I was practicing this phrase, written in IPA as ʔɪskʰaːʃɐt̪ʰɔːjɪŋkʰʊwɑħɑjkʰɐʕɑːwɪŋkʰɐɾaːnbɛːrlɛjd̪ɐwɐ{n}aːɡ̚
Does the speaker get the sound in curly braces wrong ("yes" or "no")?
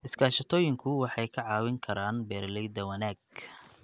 no